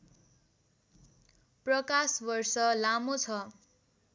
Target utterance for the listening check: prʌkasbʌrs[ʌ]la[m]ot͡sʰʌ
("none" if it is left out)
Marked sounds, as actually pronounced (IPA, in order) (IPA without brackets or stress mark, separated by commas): ʌ, m